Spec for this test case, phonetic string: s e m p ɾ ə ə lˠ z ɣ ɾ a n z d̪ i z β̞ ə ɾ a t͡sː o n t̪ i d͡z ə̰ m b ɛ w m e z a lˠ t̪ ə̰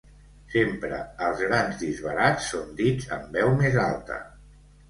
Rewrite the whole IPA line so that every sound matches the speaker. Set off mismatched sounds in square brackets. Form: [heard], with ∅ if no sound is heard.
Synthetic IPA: s e m p ɾ ə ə lˠ z ɣ ɾ a n z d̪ i z β̞ ə ɾ a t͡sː o n [d̪] i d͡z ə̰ m b ɛ w m e z a lˠ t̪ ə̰